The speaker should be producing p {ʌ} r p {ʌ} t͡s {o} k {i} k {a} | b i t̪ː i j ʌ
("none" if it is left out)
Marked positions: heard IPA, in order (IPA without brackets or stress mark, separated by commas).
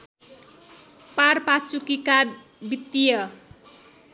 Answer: a, a, u, i, a